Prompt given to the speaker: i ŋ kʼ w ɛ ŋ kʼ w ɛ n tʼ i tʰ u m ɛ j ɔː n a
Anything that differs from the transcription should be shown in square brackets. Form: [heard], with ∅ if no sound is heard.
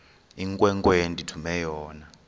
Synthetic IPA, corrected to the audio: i ŋ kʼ w ɛ ŋ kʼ w [e] n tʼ i tʰ u m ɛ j ɔː n a